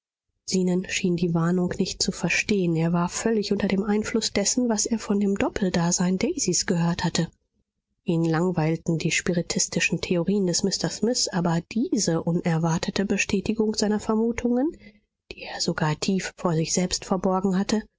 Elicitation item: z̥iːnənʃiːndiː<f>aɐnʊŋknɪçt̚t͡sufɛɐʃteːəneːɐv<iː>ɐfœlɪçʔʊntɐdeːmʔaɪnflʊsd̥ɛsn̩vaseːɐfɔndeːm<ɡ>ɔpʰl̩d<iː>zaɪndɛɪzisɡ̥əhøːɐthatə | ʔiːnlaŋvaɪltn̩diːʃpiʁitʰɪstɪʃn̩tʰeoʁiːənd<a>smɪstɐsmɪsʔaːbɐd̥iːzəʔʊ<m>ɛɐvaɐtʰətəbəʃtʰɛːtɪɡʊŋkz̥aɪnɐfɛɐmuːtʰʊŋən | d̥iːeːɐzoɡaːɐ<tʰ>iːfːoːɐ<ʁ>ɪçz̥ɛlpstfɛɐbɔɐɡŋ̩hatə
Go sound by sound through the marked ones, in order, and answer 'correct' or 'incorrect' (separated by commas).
incorrect, incorrect, incorrect, incorrect, incorrect, incorrect, correct, incorrect